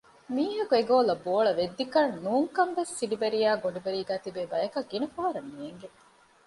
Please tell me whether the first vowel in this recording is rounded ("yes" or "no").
no